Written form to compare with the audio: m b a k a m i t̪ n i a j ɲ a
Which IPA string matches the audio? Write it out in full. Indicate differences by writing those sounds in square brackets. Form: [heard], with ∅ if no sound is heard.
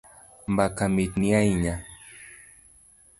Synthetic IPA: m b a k a m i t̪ n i a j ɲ a